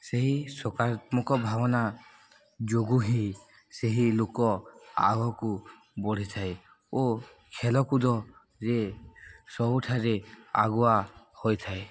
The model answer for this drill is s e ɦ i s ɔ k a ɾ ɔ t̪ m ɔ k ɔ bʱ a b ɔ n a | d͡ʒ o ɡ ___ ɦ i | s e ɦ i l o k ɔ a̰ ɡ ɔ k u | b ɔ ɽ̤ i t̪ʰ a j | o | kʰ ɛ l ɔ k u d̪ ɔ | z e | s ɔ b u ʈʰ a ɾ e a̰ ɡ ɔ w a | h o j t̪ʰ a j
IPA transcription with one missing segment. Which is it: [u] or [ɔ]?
u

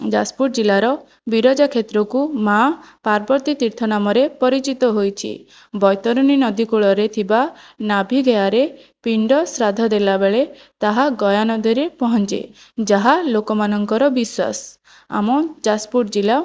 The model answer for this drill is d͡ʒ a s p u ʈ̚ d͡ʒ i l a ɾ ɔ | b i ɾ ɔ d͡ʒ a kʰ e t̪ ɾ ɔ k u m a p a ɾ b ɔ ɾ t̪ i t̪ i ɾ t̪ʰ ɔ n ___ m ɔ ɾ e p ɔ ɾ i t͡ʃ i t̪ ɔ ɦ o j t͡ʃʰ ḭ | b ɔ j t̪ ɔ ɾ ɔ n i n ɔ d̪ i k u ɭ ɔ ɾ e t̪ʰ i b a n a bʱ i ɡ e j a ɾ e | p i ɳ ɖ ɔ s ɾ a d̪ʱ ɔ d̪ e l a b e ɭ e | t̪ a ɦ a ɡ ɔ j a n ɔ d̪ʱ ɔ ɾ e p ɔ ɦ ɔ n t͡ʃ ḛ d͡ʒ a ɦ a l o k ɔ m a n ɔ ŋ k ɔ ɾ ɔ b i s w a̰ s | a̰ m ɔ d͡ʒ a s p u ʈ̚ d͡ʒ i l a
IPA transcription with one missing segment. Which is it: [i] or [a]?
a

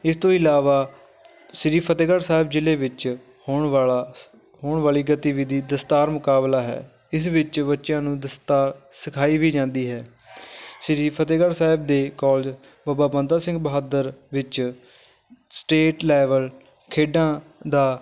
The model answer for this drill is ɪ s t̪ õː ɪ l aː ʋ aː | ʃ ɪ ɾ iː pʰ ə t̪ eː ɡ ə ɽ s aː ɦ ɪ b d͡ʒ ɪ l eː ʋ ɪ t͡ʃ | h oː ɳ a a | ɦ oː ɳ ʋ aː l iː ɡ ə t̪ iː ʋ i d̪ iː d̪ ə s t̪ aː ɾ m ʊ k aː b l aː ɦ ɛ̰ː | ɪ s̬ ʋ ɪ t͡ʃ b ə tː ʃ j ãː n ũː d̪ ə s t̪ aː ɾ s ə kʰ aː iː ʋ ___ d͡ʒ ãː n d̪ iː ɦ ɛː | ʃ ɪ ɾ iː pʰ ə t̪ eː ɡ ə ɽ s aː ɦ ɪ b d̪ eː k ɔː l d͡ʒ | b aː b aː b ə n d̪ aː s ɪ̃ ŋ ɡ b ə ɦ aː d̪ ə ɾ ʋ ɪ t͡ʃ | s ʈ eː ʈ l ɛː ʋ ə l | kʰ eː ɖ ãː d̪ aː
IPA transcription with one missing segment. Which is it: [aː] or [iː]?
iː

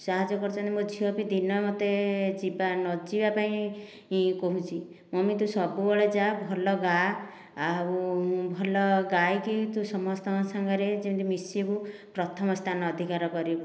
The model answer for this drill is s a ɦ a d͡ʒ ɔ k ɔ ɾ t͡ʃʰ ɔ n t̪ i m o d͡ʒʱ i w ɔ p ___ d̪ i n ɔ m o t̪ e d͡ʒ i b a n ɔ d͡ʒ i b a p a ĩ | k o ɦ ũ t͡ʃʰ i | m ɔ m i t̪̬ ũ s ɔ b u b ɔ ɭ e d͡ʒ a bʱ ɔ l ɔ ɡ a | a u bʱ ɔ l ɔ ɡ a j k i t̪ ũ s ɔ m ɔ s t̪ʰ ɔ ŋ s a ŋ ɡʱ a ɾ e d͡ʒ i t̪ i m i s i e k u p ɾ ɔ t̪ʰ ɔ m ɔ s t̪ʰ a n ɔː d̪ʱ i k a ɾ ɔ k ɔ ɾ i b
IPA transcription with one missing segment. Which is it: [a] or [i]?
i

